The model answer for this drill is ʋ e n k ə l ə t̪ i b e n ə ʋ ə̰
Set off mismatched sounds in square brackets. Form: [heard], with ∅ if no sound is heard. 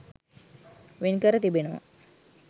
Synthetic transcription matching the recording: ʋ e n k ə [ɾ] ə t̪ i b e n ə ʋ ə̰